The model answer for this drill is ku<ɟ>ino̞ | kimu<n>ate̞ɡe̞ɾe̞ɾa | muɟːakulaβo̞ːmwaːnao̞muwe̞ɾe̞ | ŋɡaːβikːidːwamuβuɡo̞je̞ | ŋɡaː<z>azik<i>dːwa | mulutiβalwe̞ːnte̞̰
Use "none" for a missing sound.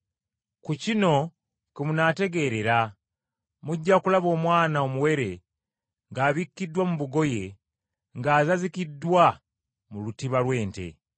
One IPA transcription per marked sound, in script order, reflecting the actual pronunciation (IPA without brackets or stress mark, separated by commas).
c, n, z, i